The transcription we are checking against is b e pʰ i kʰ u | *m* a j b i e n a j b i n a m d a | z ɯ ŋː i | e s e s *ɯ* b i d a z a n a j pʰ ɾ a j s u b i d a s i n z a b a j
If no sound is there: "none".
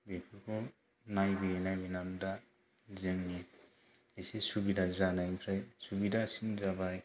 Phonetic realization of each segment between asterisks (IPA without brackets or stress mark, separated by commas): n, u